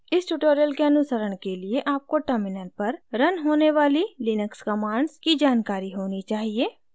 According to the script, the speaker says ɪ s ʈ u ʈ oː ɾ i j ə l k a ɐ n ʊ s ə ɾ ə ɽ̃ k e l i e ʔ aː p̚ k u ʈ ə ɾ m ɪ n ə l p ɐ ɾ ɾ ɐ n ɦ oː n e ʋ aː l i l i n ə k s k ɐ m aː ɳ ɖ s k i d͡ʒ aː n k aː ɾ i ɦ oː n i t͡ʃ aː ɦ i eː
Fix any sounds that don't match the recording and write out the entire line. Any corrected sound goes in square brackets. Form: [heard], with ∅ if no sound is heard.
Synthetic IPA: ɪ s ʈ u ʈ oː ɾ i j ə l k [e] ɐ n ʊ s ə ɾ ə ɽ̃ k e l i e ʔ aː p̚ k [o] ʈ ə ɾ m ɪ n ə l p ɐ ɾ ɾ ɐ n ɦ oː n e ʋ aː l i l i n ə k s k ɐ m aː ɳ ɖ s k i d͡ʒ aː n k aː ɾ i ɦ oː n i t͡ʃ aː ɦ i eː

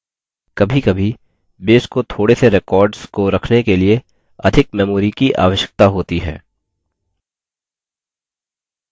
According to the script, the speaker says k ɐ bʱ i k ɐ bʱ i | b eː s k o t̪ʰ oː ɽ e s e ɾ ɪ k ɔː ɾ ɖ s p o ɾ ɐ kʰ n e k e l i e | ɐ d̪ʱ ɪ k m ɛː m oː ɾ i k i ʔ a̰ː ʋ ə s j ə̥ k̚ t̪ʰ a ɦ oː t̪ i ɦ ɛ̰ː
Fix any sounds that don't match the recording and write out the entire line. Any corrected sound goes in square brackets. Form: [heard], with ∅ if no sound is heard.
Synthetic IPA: k ɐ bʱ i k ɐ bʱ i | b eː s k o t̪ʰ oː ɽ e s e ɾ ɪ k ɔː ɾ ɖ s [k] o ɾ ɐ kʰ n e k e l i e | ɐ d̪ʱ ɪ k m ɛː m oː ɾ i k i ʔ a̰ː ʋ ə [ʃ] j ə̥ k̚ [t̪] a ɦ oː t̪ i ɦ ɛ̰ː

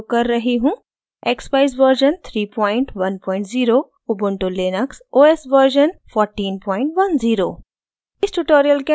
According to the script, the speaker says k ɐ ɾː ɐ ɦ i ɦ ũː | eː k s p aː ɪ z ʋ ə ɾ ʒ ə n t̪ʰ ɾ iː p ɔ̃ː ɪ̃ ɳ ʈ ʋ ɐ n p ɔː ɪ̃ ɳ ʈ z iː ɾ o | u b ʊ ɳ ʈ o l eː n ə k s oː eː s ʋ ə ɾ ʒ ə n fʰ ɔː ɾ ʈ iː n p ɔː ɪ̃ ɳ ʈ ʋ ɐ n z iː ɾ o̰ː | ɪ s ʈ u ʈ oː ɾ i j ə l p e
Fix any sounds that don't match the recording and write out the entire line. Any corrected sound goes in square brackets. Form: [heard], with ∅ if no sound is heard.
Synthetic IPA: k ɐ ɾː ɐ ɦ i ɦ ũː | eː k s p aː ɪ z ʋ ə ɾ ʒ ə n t̪ʰ ɾ iː p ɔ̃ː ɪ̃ ɳ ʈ ʋ ɐ n p ɔː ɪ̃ ɳ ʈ z iː ɾ o | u b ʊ ɳ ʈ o l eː n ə k s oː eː s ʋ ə ɾ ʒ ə n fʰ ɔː ɾ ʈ iː n p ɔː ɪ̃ ɳ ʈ ʋ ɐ n z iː ɾ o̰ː | ɪ s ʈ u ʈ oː ɾ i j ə l [k] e

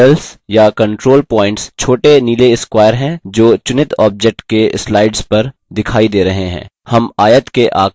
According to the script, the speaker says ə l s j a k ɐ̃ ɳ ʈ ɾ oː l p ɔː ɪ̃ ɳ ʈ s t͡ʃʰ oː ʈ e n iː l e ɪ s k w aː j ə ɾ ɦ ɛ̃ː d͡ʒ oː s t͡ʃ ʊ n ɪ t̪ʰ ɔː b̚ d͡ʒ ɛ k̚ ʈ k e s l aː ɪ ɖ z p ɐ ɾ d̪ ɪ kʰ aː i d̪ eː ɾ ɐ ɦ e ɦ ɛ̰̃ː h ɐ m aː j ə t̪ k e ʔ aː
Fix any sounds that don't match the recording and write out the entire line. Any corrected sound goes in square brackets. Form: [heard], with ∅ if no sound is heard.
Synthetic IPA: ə l s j a k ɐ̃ ɳ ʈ ɾ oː l p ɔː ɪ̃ ɳ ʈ s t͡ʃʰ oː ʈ e n iː l e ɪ s k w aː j ə ɾ ɦ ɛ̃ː d͡ʒ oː [∅] t͡ʃ ʊ n ɪ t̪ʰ ɔː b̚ d͡ʒ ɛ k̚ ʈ k e s l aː ɪ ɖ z p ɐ ɾ d̪ ɪ kʰ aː i d̪ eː ɾ ɐ ɦ e ɦ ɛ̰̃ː h ɐ m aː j ə t̪ k e ʔ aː

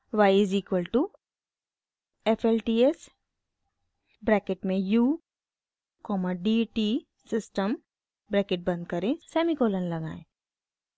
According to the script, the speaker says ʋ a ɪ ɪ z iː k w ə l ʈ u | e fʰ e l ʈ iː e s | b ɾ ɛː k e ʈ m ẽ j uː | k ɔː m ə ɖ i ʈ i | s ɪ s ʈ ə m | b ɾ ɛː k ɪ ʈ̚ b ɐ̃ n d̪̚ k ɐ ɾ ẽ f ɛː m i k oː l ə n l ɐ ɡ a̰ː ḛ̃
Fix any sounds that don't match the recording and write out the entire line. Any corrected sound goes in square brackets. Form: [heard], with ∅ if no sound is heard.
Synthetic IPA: ʋ a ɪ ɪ z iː k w ə l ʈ u | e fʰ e l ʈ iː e s | b ɾ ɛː k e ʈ m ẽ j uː | k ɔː m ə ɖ i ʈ i | s ɪ s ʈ ə m | b ɾ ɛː k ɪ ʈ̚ b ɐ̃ n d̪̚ k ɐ ɾ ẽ [s] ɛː m i k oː l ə n l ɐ ɡ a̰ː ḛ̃

